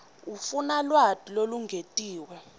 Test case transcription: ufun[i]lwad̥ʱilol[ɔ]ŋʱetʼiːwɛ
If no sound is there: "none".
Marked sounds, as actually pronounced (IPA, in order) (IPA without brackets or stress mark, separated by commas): a, u